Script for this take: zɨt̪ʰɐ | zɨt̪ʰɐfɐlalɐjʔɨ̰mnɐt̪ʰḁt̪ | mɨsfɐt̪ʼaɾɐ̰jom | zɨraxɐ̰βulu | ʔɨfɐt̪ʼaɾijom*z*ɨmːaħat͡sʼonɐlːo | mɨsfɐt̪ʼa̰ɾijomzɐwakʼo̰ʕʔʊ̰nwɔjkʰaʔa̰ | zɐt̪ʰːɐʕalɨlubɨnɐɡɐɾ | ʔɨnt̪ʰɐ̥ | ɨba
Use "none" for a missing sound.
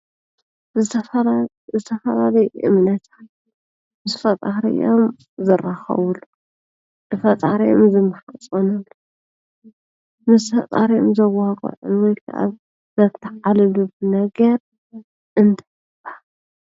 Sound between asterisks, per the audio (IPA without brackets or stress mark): z